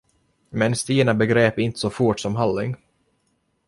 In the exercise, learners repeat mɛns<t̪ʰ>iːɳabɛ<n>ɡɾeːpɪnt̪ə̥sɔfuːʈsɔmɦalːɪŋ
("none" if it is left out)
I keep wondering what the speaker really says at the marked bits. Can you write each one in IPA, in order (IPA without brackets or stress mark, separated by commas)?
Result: t̪, none